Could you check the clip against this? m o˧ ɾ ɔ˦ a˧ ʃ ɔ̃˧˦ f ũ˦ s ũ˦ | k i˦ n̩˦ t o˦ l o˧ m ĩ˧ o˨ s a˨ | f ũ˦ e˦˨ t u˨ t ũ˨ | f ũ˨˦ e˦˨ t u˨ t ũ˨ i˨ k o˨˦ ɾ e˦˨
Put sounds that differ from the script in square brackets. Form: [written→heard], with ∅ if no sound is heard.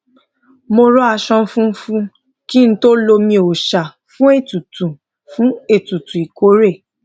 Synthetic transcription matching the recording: m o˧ ɾ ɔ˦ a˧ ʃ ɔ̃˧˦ f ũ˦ [s→f] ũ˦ | k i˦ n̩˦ t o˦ l o˧ m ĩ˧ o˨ [s→ʃ] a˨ | f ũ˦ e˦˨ t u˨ t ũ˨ | f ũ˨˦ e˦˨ t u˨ t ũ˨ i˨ k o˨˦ ɾ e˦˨